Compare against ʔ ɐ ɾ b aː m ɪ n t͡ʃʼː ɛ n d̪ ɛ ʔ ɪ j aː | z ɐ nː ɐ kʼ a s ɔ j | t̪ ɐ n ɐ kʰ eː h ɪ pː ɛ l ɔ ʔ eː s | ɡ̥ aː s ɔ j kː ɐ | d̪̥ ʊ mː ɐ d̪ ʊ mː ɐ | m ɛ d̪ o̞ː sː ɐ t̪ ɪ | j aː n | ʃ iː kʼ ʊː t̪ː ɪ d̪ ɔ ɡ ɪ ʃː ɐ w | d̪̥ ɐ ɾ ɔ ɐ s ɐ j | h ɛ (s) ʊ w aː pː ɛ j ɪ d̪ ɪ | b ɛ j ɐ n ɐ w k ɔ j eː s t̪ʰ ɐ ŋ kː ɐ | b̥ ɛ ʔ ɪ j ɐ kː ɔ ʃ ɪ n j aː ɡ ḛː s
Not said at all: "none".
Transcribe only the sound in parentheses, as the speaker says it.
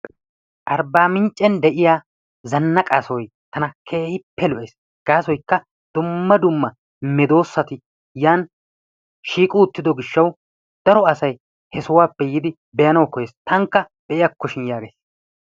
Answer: s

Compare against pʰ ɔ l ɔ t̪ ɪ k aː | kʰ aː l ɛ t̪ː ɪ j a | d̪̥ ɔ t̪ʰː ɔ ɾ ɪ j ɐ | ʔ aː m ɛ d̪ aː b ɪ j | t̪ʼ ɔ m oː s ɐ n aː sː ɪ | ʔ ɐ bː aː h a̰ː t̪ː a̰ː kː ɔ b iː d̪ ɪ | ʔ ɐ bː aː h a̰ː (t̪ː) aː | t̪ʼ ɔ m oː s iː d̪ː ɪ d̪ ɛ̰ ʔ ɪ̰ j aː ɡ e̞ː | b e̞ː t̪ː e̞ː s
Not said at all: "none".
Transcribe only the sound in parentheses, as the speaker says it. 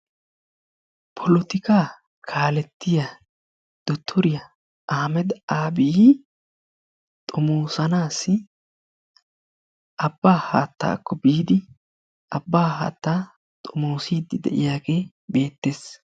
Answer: t̪ː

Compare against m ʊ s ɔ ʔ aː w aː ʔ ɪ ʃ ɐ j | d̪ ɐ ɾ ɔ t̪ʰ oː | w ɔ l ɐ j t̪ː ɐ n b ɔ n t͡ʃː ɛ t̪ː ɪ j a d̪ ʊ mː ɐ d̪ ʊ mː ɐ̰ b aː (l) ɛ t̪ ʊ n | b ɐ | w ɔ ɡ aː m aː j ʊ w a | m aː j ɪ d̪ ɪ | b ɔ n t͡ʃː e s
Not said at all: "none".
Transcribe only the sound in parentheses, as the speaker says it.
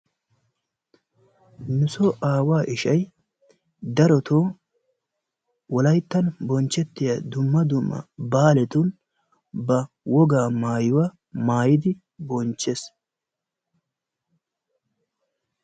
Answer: l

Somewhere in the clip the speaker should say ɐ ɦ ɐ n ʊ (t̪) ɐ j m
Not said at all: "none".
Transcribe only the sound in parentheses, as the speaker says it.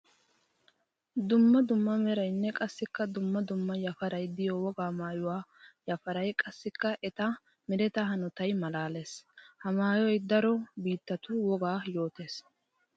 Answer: t̪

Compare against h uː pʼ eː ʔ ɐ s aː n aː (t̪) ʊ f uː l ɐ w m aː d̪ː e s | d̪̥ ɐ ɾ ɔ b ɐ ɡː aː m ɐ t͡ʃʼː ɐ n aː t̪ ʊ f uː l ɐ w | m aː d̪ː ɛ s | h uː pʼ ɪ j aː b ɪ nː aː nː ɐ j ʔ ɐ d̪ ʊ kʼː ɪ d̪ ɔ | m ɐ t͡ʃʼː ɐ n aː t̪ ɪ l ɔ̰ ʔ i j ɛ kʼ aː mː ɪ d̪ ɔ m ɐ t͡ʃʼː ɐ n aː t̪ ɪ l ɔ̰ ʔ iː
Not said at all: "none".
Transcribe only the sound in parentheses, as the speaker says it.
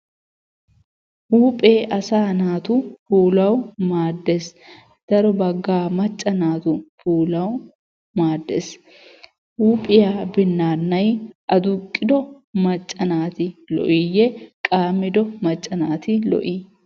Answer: t̪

